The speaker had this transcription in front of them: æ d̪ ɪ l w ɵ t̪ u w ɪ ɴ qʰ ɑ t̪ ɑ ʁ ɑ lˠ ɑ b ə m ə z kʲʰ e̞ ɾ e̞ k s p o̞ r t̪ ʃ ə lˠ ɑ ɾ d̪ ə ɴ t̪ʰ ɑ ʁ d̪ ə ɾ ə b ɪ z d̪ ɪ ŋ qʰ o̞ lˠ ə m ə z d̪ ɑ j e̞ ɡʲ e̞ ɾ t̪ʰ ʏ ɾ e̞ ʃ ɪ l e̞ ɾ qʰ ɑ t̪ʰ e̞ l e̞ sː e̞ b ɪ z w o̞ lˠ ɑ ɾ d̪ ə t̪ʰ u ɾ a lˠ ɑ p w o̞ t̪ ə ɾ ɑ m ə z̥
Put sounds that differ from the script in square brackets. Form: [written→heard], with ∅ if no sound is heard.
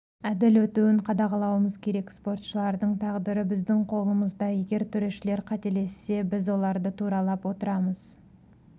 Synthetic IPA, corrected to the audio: æ d̪ ɪ l w ɵ t̪ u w ɪ ɴ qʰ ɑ [t̪→d̪] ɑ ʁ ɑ lˠ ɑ [b→w] ə m ə z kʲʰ e̞ ɾ e̞ k s p o̞ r t̪ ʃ ə lˠ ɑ ɾ d̪ ə ɴ t̪ʰ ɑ ʁ d̪ ə ɾ ə b ɪ z d̪ ɪ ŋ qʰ o̞ lˠ ə m ə z d̪ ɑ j e̞ ɡʲ e̞ ɾ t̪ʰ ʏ ɾ e̞ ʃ ɪ l e̞ ɾ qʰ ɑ [t̪ʰ→t̪] e̞ l e̞ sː e̞ b ɪ z w o̞ lˠ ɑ ɾ d̪ ə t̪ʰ u ɾ [a→ɑ] lˠ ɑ p w o̞ t̪ ə ɾ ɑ m ə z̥